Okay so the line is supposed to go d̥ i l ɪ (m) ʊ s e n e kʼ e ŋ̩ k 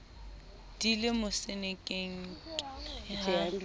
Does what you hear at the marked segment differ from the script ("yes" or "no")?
no